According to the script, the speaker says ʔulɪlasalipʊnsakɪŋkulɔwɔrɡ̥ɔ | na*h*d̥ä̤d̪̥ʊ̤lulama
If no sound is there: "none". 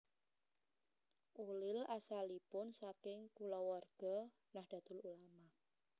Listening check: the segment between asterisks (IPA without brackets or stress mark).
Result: h